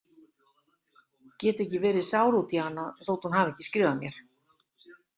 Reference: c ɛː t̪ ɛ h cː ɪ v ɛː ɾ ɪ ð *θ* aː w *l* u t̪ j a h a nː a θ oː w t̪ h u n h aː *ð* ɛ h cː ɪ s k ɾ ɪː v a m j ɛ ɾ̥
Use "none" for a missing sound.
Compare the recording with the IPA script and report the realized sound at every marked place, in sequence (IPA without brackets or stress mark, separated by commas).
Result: s, ɾ, v